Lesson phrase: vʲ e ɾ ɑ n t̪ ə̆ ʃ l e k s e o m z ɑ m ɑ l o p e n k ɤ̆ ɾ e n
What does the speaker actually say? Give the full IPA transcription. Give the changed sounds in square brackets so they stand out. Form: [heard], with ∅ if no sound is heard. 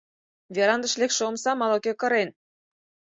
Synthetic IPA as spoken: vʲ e ɾ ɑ n [d̪] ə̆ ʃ l e k [ʃ] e o m [s] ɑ m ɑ l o [k] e [∅] k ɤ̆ ɾ e n